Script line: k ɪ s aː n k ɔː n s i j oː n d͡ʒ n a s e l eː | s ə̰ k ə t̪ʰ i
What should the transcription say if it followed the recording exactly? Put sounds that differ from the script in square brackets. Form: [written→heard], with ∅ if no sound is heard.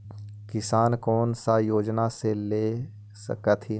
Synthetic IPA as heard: k ɪ s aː n k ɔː n s [i→a] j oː [n→∅] d͡ʒ n a s e l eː | s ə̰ k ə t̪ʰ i